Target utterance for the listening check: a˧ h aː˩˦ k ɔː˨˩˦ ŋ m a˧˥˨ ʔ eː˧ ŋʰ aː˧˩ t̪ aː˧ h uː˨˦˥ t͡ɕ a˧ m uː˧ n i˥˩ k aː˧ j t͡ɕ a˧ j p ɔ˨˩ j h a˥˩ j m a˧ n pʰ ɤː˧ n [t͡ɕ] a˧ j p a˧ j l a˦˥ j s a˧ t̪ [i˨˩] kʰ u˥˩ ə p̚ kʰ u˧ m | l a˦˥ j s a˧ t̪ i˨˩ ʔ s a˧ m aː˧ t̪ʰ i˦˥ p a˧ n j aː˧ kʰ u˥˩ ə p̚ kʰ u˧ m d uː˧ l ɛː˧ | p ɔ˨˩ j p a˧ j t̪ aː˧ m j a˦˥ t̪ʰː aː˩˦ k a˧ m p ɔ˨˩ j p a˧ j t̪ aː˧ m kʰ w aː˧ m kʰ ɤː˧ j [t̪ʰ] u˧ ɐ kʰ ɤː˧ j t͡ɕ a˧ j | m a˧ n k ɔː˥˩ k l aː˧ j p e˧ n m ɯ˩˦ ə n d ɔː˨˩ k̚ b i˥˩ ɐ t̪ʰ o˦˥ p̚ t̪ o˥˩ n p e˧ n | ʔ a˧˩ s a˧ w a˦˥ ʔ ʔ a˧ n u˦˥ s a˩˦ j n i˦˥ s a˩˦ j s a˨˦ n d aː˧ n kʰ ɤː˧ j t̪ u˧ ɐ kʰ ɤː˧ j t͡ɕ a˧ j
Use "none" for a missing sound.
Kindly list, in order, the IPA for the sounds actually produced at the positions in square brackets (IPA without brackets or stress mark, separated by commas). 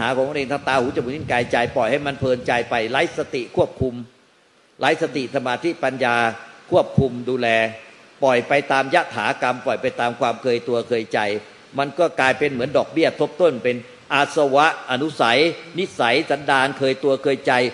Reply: t͡ɕ, i˨˩, t̪